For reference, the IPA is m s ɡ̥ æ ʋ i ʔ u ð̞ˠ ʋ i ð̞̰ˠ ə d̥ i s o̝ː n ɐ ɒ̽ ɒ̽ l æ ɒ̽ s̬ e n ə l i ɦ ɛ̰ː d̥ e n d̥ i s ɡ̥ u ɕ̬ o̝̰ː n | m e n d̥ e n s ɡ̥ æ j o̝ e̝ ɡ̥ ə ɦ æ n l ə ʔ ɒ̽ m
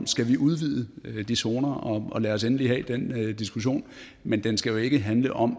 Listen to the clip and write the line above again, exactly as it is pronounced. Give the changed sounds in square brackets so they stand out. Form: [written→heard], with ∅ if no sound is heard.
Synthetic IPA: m s ɡ̥ æ ʋ i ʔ u ð̞ˠ ʋ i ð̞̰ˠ ə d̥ i s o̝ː n ɐ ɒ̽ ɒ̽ l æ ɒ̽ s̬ e n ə l i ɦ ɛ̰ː d̥ e n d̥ i s ɡ̥ u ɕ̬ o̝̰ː n | m e n d̥ e n s ɡ̥ æ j o̝ e̝ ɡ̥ ə ɦ æ n l ə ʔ ɒ̽ m